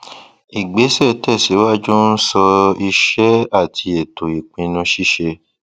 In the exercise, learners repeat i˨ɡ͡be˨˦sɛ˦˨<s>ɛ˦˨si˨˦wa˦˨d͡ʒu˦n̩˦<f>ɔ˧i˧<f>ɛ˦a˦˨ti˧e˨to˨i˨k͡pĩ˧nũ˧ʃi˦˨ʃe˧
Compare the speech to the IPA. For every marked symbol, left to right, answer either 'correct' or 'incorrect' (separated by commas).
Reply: incorrect, incorrect, incorrect